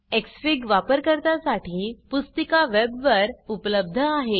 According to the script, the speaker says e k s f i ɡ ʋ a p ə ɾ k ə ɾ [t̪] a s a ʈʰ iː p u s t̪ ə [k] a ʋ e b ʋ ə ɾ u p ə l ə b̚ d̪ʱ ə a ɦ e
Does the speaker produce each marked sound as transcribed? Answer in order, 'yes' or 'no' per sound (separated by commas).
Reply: yes, yes